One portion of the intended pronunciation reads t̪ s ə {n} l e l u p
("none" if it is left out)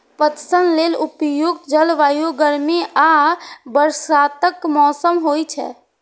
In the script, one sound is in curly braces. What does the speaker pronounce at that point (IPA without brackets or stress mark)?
n